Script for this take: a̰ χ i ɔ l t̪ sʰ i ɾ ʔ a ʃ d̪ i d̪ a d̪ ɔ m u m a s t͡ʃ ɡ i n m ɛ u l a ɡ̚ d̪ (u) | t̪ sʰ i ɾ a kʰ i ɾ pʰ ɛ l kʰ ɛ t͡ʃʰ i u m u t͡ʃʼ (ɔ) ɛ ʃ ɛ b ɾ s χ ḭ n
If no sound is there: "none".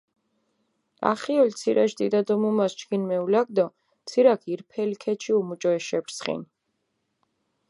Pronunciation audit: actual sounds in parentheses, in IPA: ɔ, ɔ

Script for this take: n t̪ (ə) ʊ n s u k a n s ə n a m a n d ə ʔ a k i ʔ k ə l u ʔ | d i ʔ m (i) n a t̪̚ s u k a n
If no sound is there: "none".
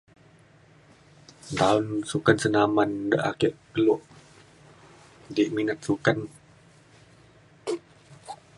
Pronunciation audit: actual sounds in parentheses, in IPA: a, i

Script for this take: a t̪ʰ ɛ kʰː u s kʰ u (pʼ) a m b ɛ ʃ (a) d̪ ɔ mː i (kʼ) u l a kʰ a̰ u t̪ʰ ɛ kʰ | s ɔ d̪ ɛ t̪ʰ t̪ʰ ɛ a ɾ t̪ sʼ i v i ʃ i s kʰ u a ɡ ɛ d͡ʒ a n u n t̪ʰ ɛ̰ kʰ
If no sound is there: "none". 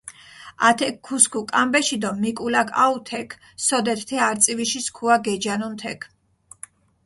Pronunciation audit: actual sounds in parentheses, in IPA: kʼ, i, kʼ

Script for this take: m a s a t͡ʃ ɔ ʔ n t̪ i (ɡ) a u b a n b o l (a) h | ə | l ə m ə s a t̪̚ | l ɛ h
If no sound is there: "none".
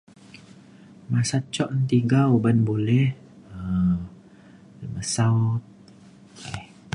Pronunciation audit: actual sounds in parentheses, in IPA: ɡ, ɛ

